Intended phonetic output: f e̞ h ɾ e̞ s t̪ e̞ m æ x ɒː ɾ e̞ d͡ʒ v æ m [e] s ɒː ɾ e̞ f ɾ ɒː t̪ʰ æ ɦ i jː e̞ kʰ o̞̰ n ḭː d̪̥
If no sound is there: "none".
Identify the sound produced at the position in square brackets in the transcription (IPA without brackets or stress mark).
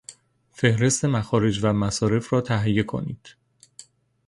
æ